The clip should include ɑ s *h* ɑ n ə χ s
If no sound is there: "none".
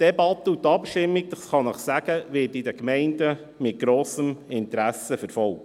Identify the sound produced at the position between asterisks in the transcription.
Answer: χ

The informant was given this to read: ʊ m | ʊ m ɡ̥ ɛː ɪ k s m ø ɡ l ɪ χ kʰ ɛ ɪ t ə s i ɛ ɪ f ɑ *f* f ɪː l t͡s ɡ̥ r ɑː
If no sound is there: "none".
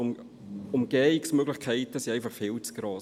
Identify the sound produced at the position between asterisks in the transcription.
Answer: χ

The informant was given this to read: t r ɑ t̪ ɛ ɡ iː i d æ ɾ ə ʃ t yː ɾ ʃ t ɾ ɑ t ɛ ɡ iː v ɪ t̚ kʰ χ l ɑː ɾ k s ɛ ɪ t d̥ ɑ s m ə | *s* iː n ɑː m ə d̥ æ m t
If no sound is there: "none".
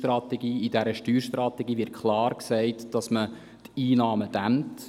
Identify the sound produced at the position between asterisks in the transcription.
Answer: t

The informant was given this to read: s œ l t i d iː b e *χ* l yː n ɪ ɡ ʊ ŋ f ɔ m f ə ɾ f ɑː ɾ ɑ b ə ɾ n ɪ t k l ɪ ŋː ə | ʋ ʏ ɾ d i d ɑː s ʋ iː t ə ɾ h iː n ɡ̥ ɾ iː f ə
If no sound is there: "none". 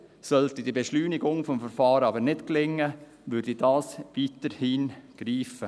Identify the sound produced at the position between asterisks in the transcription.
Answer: ʃ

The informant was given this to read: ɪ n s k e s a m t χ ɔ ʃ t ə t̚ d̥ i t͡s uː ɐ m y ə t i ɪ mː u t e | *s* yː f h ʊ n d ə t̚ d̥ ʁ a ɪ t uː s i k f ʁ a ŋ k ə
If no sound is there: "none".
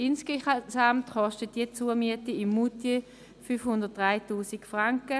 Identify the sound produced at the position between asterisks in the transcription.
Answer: f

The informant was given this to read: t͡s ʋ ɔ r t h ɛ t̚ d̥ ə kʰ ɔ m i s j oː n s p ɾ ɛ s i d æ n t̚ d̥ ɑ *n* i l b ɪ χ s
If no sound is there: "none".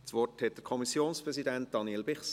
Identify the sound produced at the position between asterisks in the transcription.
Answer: n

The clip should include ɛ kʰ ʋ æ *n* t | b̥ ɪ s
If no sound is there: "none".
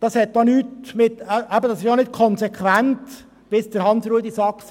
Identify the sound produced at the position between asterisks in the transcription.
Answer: n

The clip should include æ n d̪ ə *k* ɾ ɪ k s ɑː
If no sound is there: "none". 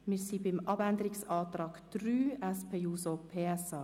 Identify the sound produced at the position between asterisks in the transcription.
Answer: none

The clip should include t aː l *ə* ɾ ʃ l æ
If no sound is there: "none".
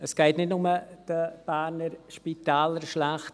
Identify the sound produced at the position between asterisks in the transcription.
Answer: ə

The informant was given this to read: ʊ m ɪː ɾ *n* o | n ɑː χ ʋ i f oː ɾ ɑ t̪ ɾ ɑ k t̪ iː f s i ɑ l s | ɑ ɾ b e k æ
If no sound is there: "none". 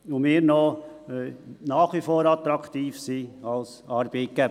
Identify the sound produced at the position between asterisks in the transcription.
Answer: n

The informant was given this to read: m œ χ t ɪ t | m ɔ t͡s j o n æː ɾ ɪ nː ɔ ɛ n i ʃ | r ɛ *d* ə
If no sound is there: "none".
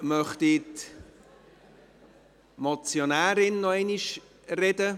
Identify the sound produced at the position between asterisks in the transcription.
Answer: d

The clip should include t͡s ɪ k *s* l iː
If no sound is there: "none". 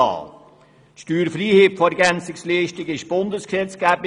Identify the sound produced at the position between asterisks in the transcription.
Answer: s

